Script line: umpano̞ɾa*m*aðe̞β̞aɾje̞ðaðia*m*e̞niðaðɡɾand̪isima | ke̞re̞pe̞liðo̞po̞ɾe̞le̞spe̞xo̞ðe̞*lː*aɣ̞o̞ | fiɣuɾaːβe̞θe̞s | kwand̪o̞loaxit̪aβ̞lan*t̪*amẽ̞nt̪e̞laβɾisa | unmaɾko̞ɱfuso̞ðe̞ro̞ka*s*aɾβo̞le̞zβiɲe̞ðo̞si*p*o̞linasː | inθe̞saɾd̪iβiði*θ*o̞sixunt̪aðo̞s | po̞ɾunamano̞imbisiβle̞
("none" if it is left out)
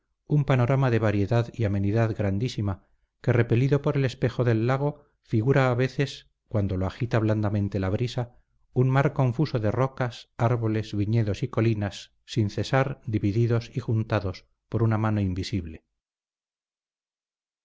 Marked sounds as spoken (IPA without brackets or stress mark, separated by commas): m, m, lː, d̪, s, k, ð